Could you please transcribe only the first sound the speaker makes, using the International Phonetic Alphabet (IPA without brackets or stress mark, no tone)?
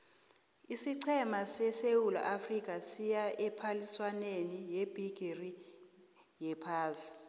i